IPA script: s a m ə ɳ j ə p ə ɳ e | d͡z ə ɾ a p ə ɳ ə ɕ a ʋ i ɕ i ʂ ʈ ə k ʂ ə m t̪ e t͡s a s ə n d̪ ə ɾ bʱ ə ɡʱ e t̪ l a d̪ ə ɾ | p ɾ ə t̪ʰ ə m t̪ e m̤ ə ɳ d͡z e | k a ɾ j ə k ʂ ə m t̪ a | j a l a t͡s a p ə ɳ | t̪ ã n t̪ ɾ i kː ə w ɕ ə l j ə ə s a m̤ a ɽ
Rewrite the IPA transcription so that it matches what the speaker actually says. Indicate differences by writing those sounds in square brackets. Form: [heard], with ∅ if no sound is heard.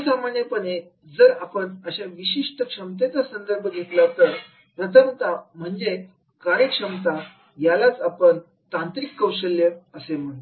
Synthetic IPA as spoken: s a m [a] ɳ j ə p ə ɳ e | d͡z ə ɾ a p ə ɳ ə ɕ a ʋ i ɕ i ʂ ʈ ə k ʂ ə m t̪ e t͡s a s ə n d̪ ə ɾ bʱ ə ɡʱ e t̪ l a [t̪] ə ɾ | p ɾ ə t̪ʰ ə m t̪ [a] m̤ ə ɳ d͡z e | k a ɾ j ə k ʂ ə m t̪ a | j a l a t͡s a p ə ɳ | t̪ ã n t̪ ɾ i kː ə w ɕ ə l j ə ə s [e] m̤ [ə] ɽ